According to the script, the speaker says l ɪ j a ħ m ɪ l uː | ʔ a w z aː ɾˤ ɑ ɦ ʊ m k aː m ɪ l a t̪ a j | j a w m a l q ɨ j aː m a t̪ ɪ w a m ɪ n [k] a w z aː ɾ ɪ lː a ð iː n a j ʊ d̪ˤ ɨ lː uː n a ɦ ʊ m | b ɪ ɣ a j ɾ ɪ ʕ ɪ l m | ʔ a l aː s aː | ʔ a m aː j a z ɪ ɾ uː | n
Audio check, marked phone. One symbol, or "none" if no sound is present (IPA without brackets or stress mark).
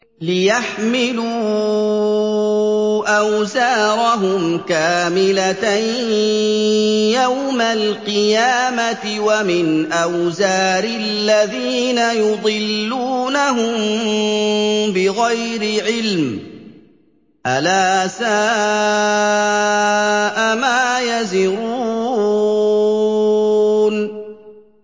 ʔ